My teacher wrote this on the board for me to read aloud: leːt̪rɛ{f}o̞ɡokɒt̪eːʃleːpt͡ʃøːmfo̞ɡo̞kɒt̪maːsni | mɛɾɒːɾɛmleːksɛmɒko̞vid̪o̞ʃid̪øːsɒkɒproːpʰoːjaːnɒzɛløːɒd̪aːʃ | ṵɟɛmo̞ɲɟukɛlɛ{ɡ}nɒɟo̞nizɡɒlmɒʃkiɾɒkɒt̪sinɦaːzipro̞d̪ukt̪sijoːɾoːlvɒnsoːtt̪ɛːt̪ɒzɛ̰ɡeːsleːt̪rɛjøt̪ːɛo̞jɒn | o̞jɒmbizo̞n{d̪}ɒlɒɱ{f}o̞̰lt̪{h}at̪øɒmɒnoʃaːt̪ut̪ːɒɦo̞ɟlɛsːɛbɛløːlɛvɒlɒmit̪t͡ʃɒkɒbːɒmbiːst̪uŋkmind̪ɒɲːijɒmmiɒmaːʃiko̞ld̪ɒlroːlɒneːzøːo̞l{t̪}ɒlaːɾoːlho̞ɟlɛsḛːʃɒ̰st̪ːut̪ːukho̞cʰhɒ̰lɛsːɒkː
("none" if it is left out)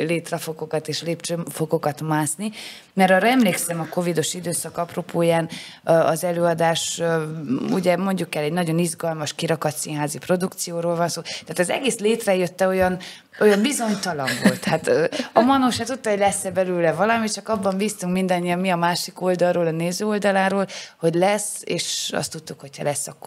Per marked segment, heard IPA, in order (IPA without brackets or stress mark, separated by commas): f, ɟ, t̪, v, h, d̪